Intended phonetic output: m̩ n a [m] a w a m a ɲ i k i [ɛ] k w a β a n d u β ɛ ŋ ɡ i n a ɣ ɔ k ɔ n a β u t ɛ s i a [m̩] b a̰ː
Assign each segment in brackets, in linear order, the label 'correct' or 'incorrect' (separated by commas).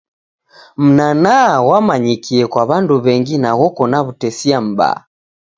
incorrect, correct, correct